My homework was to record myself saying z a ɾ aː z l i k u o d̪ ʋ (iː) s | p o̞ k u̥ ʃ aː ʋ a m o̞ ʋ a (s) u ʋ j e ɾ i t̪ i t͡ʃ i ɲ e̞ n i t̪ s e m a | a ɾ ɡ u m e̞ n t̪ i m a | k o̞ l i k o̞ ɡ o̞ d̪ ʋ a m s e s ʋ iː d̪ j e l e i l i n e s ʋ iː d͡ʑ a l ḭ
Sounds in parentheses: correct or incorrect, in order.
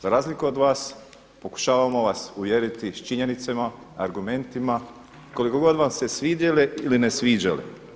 incorrect: aː, correct

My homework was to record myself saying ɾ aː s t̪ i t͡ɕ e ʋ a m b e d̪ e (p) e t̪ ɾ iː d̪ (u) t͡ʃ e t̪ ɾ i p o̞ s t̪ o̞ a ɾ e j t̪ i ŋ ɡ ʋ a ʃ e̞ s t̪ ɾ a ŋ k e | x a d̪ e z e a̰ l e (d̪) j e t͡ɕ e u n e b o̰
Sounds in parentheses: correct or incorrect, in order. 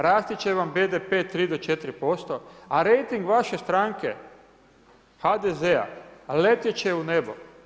correct, incorrect: o, incorrect: t̪

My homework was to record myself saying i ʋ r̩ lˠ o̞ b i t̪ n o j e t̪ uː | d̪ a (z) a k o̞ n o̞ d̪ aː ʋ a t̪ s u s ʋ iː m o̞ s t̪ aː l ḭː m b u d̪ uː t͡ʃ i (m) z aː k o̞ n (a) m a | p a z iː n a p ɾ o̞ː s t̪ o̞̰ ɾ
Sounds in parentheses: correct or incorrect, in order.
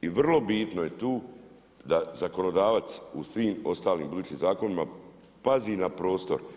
correct, correct, incorrect: i

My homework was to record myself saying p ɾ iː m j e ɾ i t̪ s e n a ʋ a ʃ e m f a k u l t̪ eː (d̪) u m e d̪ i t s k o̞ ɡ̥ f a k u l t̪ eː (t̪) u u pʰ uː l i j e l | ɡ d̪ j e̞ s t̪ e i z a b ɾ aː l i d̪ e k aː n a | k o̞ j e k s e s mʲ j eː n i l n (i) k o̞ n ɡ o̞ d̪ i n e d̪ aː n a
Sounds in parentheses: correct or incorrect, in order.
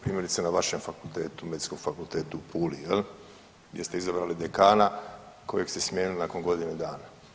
incorrect: t̪, correct, incorrect: a

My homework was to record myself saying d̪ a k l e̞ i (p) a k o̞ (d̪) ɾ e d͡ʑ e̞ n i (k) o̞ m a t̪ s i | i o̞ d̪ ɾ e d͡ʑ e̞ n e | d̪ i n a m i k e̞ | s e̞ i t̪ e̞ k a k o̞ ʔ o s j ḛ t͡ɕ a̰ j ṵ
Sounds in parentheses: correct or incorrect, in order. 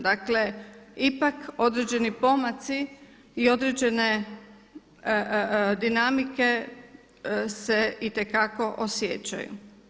correct, correct, incorrect: p

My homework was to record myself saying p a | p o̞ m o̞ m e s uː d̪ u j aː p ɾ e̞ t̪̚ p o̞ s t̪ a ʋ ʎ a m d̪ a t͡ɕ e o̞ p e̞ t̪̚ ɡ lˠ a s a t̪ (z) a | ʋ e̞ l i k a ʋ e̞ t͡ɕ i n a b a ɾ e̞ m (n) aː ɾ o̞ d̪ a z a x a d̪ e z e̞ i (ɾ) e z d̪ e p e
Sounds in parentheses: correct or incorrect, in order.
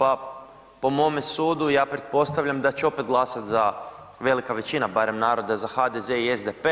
correct, correct, incorrect: none

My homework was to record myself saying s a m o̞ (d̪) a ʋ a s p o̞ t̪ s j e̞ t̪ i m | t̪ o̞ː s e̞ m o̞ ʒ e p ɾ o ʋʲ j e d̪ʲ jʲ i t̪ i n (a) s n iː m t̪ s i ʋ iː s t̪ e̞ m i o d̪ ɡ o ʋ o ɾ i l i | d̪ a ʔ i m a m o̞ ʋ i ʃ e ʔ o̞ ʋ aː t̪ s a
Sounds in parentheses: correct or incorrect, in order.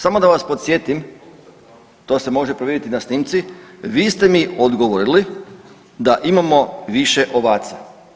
correct, correct

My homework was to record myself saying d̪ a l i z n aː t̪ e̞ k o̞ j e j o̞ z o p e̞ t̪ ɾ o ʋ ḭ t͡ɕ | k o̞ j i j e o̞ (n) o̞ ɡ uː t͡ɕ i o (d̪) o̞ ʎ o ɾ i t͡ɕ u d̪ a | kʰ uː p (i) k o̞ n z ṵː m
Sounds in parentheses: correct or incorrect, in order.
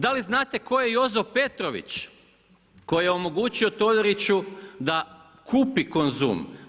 incorrect: m, incorrect: t̪, correct

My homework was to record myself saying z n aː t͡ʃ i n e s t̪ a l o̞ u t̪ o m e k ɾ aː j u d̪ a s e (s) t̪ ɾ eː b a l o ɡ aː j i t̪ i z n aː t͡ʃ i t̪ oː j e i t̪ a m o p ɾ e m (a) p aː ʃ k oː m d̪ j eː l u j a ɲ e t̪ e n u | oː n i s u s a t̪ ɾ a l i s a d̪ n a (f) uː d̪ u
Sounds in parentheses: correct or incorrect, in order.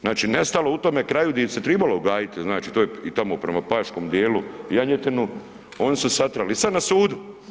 incorrect: none, correct, incorrect: s

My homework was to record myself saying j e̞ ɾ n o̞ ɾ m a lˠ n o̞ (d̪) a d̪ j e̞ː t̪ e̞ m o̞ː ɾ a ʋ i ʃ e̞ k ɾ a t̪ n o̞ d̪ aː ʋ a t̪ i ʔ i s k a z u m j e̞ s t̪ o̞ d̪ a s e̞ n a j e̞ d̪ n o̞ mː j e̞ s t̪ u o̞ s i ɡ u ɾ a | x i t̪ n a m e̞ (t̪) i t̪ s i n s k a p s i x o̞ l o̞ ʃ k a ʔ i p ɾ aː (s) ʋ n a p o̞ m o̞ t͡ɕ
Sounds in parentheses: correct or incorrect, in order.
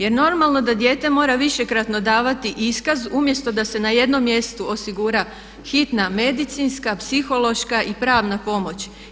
correct, incorrect: d̪, incorrect: none

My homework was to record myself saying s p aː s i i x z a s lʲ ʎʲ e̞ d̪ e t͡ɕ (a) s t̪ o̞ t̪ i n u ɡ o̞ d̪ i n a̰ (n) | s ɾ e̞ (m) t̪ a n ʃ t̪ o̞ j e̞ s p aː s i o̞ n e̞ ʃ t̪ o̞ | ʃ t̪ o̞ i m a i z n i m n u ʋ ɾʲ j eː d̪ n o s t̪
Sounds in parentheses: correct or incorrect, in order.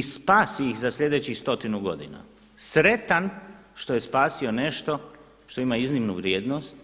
incorrect: i, incorrect: none, incorrect: none

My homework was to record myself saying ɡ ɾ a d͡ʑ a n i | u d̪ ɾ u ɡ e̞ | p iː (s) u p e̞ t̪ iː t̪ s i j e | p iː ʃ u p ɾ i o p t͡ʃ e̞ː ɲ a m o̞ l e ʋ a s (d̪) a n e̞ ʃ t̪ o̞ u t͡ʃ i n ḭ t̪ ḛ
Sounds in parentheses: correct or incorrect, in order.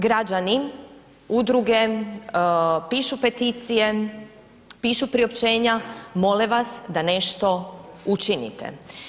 incorrect: ʃ, correct

